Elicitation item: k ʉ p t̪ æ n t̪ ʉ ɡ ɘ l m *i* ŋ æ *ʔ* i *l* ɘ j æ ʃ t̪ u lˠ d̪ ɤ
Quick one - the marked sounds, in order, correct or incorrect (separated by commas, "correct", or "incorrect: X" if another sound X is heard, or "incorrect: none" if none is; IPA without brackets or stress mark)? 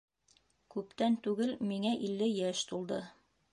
correct, correct, incorrect: lː